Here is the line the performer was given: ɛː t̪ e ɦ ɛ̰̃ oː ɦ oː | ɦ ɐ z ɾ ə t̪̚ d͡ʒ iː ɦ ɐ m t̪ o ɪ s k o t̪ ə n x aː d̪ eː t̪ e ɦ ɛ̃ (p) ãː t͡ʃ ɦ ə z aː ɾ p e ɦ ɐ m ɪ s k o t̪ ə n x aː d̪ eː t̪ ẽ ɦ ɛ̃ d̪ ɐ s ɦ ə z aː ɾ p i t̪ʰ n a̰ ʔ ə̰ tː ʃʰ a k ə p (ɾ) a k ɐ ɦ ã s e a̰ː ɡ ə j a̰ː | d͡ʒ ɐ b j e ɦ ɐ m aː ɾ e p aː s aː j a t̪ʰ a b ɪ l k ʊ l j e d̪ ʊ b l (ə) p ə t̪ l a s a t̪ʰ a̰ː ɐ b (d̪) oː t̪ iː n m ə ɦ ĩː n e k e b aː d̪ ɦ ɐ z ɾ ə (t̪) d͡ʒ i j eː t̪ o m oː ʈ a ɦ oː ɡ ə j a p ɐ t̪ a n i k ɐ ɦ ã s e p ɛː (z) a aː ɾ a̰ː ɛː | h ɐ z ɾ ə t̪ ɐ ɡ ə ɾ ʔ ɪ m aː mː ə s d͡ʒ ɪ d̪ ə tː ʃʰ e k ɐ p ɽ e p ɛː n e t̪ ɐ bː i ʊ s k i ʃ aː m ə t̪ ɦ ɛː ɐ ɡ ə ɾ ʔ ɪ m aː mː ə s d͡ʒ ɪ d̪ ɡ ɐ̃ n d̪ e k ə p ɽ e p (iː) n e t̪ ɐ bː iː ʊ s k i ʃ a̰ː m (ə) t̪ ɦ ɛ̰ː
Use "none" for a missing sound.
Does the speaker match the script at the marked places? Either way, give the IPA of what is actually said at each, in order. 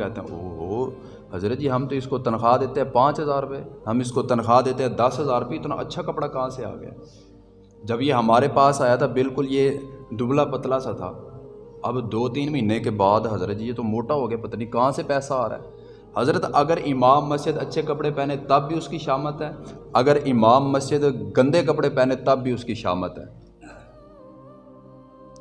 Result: p, ɽ, a, d̪, t̪, s, ɛː, ə

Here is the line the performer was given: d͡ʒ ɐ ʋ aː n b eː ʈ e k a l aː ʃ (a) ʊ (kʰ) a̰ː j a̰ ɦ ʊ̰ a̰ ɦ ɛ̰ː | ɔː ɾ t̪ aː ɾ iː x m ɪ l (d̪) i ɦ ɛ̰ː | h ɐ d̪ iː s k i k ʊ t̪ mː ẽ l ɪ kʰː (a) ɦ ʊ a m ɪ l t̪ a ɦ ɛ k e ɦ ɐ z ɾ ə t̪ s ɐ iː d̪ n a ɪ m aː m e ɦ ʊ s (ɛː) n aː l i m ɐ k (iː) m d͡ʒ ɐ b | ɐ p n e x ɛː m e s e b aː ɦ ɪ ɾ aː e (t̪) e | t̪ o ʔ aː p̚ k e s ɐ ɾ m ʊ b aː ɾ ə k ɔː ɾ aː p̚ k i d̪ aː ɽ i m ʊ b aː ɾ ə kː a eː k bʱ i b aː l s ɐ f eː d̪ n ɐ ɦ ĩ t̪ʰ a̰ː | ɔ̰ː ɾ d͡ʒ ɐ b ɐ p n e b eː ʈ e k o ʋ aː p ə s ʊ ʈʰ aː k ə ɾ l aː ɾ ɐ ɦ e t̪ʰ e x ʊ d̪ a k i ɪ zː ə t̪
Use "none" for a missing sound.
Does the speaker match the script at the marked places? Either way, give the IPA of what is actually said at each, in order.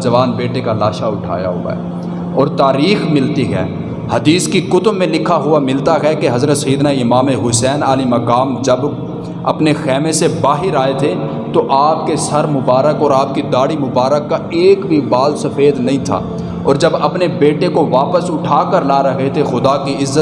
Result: a, ʈʰ, t̪, a, ɛː, aː, t̪ʰ

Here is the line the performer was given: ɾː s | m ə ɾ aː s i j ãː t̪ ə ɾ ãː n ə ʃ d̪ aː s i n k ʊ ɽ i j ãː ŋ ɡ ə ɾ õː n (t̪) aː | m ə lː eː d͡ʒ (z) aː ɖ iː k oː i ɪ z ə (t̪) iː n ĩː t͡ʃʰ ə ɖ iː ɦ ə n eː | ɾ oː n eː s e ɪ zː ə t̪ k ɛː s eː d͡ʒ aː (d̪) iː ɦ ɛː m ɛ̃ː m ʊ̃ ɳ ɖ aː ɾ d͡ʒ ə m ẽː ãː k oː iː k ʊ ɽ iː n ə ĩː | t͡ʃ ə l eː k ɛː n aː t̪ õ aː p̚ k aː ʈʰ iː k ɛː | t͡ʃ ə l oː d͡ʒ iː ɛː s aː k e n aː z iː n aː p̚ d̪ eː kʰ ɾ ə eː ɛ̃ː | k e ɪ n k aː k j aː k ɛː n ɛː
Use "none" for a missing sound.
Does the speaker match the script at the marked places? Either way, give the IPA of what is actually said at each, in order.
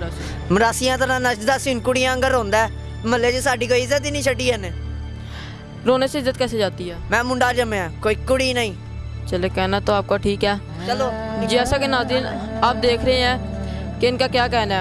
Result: d̪, s, t̪, t̪

